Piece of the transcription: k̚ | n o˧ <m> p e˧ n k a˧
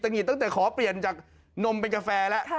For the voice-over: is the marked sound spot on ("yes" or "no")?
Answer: yes